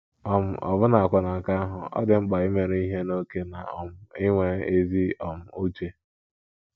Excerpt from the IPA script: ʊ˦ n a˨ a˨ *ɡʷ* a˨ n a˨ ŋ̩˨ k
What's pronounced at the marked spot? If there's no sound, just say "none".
kʷ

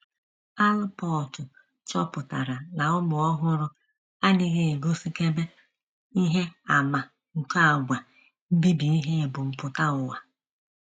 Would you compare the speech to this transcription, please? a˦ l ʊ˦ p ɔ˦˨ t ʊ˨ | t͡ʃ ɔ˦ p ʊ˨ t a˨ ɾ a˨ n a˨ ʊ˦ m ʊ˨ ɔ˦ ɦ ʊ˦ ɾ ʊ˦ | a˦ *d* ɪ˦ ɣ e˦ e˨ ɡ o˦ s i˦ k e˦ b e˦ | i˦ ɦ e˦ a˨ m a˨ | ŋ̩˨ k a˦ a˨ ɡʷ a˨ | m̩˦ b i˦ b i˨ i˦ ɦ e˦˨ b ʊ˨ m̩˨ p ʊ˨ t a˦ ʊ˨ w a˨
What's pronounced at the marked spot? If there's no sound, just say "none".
n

